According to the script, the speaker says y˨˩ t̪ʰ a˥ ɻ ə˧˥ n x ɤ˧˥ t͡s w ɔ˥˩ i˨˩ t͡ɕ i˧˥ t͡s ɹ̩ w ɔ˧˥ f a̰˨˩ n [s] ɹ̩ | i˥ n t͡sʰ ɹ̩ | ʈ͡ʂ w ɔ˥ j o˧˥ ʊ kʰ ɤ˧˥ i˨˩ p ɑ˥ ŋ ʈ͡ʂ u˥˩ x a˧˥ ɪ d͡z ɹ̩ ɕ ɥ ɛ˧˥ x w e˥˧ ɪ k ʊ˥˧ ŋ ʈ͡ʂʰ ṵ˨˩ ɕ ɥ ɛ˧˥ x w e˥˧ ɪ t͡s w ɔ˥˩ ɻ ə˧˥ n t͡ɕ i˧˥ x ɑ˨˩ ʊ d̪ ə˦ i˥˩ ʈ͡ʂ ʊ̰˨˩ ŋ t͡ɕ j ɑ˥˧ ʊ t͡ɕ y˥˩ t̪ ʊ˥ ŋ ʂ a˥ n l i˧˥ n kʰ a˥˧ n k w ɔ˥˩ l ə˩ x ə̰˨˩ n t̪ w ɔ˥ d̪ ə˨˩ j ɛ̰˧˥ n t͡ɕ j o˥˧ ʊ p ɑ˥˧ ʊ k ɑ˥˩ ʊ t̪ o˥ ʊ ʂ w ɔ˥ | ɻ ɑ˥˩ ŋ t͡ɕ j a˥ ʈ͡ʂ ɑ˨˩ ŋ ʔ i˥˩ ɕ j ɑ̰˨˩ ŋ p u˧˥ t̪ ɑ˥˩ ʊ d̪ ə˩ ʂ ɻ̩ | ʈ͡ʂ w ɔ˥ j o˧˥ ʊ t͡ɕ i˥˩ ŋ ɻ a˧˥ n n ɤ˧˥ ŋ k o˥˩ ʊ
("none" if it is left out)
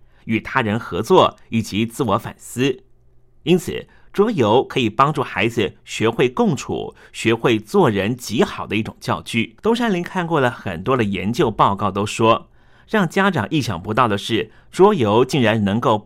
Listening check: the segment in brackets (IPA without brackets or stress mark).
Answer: s